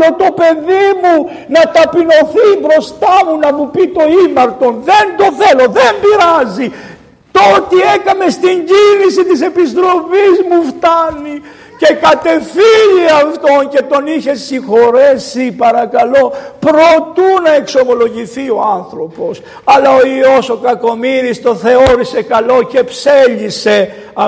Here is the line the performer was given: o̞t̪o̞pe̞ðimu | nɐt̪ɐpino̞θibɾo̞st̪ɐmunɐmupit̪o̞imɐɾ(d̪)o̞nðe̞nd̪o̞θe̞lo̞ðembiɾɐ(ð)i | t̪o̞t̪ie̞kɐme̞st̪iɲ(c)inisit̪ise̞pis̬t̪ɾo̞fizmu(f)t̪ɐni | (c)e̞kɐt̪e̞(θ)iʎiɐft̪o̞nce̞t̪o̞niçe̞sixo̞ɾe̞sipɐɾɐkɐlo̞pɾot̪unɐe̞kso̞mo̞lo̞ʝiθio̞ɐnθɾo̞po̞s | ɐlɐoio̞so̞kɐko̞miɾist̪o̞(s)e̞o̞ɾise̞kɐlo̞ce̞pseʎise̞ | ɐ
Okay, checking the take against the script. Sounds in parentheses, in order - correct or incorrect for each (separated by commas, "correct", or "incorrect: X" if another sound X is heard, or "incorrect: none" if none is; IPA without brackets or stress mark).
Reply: incorrect: t̪, incorrect: z, incorrect: ɟ, correct, correct, incorrect: f, incorrect: θ